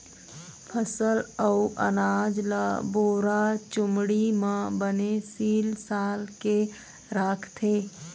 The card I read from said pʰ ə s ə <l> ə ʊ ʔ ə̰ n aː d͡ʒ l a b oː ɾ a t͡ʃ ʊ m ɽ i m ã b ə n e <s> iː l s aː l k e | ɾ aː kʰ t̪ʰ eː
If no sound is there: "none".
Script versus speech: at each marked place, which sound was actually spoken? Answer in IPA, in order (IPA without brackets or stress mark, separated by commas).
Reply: l, s